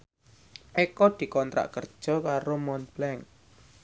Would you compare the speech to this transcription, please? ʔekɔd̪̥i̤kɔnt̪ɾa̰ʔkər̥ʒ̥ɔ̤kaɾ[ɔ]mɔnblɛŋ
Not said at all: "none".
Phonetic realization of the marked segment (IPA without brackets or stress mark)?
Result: o